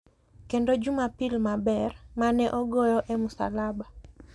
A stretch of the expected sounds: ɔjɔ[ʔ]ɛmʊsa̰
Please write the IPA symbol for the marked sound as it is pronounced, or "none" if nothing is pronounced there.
ʔ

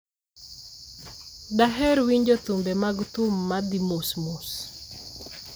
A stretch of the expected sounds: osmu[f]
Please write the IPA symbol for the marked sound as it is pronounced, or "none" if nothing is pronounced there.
s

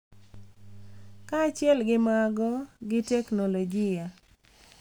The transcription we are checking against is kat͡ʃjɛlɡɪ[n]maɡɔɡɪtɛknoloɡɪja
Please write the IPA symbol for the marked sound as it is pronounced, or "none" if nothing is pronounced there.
none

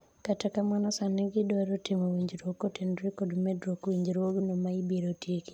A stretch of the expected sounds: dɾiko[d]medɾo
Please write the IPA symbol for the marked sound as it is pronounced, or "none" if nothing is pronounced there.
d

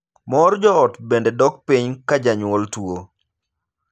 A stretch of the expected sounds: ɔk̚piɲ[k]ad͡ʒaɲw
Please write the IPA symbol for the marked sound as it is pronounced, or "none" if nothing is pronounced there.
k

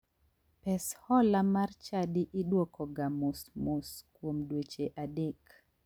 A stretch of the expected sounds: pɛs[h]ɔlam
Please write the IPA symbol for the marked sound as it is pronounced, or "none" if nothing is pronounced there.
h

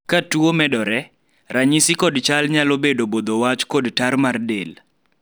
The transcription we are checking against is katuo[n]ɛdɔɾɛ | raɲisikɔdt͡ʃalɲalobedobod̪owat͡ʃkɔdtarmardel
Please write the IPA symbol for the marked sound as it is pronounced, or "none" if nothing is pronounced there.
m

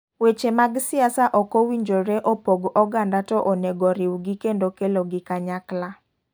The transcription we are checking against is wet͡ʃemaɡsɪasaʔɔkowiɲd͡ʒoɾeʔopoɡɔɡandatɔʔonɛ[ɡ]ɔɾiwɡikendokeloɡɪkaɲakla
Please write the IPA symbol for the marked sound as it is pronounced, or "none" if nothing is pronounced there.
ɡ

